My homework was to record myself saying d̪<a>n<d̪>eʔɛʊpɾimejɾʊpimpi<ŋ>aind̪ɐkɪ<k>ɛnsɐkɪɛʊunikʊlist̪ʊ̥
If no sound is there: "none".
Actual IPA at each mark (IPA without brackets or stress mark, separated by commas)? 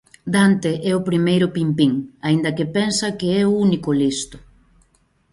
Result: a, t̪, ŋ, p